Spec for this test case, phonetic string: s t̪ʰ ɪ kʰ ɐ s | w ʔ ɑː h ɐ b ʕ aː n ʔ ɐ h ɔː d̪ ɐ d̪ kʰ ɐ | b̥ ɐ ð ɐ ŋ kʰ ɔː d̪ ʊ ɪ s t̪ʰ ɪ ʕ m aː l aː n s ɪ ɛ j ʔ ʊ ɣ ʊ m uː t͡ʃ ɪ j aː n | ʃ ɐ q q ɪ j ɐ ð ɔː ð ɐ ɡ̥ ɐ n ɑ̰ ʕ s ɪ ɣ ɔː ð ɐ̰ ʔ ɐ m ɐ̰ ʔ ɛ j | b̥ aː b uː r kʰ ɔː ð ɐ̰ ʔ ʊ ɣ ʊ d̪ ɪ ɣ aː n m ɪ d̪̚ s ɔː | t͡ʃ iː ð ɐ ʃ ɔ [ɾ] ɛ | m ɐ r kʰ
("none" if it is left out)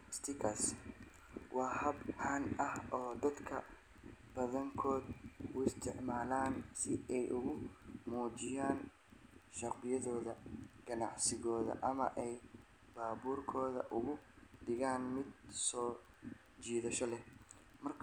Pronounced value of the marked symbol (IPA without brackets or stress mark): l